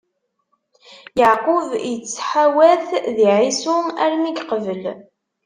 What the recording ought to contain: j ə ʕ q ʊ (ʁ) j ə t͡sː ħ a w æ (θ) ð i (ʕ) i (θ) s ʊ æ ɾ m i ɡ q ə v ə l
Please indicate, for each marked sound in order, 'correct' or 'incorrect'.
incorrect: v, correct, correct, incorrect: none

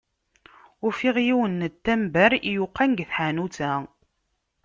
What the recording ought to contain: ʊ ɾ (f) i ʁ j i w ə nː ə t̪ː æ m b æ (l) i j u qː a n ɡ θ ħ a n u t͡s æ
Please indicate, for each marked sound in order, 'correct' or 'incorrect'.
correct, incorrect: ɾ

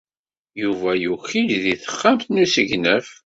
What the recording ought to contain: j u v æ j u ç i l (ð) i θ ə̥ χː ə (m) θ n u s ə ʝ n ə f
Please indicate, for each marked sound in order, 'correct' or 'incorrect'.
correct, correct

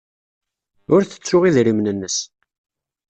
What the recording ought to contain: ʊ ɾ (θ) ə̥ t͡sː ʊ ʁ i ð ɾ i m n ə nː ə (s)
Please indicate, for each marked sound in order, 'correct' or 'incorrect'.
correct, correct

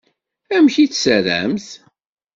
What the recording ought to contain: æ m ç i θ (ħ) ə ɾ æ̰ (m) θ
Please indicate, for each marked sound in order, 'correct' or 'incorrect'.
incorrect: s, correct

